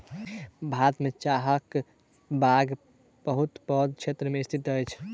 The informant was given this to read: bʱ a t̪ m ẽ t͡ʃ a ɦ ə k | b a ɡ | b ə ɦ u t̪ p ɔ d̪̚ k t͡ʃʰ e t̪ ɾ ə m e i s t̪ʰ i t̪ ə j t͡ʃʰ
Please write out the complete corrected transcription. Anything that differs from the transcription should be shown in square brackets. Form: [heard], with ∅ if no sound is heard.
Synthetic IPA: bʱ a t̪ m [e] t͡ʃ a ɦ ə k | b a ɡ | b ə ɦ u t̪ p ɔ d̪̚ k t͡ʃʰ e t̪ ɾ ə m e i s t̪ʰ i t̪ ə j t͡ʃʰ